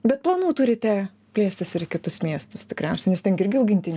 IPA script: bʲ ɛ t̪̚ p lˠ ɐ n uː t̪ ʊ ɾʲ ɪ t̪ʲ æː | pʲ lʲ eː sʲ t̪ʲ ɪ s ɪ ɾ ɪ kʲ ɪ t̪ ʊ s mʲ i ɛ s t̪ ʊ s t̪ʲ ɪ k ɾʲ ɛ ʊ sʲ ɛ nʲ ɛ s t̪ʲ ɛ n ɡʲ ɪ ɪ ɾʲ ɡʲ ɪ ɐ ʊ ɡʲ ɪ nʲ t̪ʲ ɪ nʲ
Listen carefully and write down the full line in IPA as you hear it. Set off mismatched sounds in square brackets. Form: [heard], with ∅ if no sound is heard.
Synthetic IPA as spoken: bʲ ɛ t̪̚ p lˠ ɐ n uː t̪ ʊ ɾʲ ɪ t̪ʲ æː | pʲ lʲ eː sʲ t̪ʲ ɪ s ɪ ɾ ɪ kʲ ɪ t̪ ʊ s mʲ i ɛ s t̪ ʊ s t̪ʲ ɪ k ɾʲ ɛ ʊ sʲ ɛ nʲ ɛ s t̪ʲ ɛ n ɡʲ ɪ ɪ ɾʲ ɡʲ ɪ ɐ ʊ ɡʲ ɪ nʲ t̪ʲ ɪ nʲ